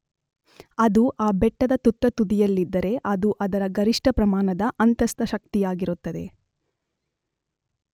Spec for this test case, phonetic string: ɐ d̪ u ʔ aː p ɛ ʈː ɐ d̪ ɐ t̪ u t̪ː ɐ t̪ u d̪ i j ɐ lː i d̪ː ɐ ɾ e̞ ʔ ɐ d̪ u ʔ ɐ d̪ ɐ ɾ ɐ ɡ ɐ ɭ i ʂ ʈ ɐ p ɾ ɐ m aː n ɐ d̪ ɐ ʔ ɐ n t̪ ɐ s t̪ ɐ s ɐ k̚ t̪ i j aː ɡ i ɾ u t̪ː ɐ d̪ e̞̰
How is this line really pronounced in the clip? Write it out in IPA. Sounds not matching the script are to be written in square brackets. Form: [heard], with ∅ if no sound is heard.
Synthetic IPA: ɐ d̪ u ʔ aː [b] ɛ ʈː ɐ d̪ ɐ t̪ u t̪ː ɐ t̪ u d̪ i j ɐ lː i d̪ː ɐ ɾ e̞ ʔ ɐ d̪ u ʔ ɐ d̪ ɐ ɾ ɐ ɡ ɐ [ɾ] i ʂ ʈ ɐ p ɾ ɐ m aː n ɐ d̪ ɐ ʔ ɐ n t̪ ɐ s t̪ ɐ [ʃ] ɐ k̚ t̪ i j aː ɡ i ɾ u t̪ː ɐ d̪ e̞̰